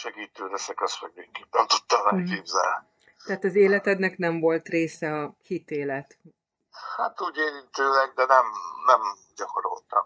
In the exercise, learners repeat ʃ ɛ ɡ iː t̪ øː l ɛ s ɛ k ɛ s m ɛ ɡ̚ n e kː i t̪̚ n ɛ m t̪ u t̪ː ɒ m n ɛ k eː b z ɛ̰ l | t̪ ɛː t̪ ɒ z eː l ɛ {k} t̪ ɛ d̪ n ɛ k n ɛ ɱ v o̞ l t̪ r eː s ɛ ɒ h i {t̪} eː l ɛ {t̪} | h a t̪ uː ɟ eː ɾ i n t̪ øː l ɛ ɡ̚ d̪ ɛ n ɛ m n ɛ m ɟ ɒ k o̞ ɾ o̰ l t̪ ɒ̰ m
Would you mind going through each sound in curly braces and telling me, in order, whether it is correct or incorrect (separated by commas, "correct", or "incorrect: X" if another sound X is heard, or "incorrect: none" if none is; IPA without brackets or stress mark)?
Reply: incorrect: none, correct, correct